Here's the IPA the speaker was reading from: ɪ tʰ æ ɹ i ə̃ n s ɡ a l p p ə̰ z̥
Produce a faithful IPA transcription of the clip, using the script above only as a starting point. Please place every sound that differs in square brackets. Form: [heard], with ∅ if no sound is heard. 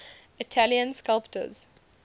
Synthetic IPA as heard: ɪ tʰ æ [l] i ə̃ n s [k] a l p [t] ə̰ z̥